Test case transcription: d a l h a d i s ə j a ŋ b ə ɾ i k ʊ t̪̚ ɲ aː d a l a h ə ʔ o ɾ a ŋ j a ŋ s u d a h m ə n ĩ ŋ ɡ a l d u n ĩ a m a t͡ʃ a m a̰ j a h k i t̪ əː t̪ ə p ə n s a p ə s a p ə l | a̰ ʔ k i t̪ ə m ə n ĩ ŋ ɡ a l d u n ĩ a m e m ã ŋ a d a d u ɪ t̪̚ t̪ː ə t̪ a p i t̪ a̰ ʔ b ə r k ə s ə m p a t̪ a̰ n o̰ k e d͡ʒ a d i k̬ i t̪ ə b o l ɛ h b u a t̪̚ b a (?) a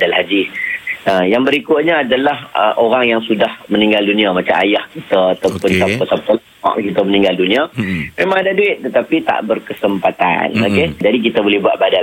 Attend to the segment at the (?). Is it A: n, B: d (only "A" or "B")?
B